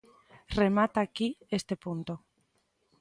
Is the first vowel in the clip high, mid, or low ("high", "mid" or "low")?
mid